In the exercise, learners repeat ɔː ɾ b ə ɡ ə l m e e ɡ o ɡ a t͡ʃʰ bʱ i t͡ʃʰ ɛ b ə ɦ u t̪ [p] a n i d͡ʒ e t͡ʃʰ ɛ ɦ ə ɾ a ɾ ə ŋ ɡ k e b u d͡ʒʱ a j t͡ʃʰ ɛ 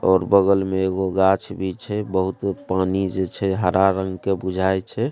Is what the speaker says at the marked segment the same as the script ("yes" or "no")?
yes